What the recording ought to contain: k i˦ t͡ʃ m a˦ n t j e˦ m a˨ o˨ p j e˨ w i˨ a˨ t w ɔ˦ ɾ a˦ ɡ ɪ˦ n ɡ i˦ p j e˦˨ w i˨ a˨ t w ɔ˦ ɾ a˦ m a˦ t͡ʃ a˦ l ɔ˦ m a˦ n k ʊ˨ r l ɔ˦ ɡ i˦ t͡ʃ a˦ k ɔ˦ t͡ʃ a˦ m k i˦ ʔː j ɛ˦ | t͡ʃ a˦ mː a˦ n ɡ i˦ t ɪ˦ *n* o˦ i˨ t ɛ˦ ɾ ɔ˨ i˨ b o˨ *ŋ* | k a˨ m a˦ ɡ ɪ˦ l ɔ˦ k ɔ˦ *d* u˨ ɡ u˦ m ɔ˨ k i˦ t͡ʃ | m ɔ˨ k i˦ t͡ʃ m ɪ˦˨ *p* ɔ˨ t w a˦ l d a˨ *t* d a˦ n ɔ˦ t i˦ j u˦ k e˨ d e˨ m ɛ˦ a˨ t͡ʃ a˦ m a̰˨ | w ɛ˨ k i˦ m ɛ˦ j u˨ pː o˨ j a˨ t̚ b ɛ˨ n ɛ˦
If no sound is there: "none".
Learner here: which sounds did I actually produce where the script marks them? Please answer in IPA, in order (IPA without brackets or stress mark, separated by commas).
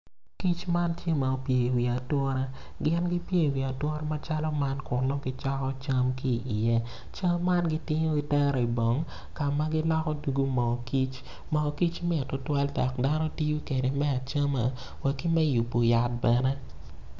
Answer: ɲ, ŋ, d, t, k